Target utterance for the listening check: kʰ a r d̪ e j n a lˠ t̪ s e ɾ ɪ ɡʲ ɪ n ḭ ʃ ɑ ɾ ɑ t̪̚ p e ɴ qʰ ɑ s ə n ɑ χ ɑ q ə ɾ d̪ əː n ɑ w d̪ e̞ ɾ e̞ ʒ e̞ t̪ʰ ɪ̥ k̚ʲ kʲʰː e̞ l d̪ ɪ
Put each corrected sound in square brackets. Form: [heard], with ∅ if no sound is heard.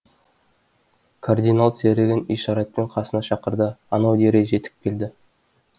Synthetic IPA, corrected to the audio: kʰ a r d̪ [i] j n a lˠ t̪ s e ɾ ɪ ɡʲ ɪ n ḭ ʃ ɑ ɾ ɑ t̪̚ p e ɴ qʰ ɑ s ə n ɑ [ʃ] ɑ q ə ɾ d̪ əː n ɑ w d̪ e̞ ɾ e̞ ʒ e̞ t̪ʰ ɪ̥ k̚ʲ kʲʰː e̞ l d̪ ɪ